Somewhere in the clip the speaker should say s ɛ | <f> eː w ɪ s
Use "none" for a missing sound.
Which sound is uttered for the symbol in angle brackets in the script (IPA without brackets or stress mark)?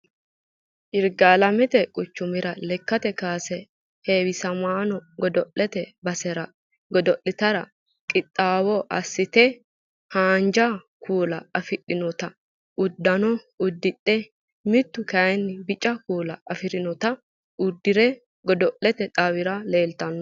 h